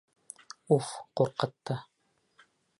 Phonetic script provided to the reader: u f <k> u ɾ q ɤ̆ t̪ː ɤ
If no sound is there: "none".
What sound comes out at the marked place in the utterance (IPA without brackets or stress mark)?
q